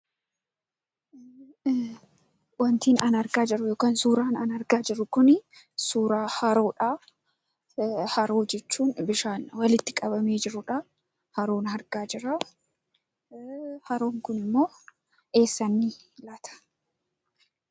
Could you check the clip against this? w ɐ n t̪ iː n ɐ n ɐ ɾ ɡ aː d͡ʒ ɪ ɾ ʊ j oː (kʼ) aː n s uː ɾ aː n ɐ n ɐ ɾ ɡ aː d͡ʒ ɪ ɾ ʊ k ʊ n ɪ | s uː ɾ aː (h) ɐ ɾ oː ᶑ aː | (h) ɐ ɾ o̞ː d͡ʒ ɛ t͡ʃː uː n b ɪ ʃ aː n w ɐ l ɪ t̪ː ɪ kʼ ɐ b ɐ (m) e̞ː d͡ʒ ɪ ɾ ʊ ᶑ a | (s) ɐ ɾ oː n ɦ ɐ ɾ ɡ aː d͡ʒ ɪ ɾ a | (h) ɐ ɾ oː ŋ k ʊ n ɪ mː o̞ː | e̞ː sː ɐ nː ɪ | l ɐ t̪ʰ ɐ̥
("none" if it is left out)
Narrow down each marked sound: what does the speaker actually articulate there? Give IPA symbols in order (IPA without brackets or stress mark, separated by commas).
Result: k, h, h, m, h, h